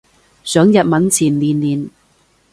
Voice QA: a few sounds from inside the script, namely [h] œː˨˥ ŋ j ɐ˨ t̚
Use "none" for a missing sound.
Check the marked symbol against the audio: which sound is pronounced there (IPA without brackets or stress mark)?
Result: s